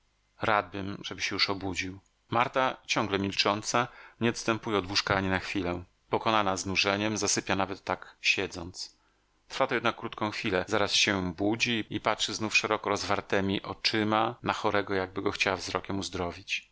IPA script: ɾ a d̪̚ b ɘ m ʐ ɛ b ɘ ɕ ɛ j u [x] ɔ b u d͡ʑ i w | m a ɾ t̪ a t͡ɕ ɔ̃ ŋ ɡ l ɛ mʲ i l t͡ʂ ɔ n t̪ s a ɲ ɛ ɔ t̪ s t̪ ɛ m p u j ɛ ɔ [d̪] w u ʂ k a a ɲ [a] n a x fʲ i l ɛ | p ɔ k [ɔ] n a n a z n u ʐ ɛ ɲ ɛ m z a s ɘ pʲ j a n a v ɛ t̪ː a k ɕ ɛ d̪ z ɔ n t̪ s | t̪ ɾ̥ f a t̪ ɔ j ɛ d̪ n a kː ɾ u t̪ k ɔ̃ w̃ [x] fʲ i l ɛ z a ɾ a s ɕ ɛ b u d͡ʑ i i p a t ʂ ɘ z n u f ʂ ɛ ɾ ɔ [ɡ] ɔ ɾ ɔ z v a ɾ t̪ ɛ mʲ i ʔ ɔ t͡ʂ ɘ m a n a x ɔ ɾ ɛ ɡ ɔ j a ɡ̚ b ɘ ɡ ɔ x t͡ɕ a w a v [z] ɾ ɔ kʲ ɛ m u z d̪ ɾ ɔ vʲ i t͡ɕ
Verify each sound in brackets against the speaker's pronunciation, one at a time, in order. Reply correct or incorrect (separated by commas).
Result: incorrect, correct, incorrect, correct, correct, incorrect, correct